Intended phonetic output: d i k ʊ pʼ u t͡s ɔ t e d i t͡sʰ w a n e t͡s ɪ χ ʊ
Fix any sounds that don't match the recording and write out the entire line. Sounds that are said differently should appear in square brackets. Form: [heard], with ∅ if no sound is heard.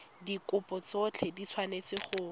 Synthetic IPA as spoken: d i k ʊ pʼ [ɔ] t͡s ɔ [t͡ɬʰ] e d i t͡sʰ w a n e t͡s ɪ χ ʊ